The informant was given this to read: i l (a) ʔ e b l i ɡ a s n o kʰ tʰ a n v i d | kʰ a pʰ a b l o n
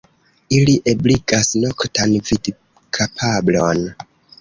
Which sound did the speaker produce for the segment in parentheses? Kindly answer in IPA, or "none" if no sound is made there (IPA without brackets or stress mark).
i